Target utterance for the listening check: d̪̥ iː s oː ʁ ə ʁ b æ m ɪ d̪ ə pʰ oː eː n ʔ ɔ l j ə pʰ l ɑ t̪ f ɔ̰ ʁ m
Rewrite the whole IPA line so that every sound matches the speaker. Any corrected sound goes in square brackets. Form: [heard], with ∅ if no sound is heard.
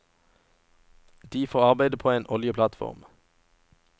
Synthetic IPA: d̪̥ iː [f] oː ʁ [ɑ] ʁ b æ [∅] ɪ d̪ ə pʰ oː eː n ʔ ɔ l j ə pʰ l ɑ t̪ f ɔ̰ ʁ m